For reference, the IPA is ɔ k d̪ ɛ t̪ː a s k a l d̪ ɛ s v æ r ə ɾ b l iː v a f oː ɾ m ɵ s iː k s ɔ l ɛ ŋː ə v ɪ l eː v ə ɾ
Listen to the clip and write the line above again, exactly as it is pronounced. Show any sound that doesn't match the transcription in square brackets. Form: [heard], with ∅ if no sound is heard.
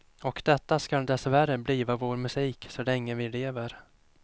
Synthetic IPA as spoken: ɔ k d̪ ɛ t̪ː a s k a l d̪ ɛ s v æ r ə [∅] b l iː v a [v] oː ɾ m ɵ s iː k s ɔ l ɛ ŋː ə v ɪ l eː v ə ɾ